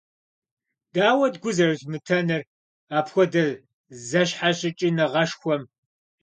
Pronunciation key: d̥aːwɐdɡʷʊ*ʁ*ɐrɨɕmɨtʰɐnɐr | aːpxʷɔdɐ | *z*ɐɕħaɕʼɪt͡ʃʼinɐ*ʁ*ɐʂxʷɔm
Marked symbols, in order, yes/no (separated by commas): no, yes, yes